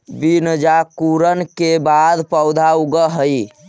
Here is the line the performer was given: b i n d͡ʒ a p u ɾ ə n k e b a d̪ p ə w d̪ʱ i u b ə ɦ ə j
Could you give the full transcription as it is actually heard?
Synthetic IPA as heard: b i n d͡ʒ a k u ɾ ə n k e b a d̪ p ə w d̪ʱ a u ɡ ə ɦ ə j